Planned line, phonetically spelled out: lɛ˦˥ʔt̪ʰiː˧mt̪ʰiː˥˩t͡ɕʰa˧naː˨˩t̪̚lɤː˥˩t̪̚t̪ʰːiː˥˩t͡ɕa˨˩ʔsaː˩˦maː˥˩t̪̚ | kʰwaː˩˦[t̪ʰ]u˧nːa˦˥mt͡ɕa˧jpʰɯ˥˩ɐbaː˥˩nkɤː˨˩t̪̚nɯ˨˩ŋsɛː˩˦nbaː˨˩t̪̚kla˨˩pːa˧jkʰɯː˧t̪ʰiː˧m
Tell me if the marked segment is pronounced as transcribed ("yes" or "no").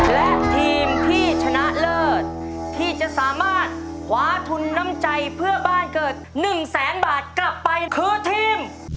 yes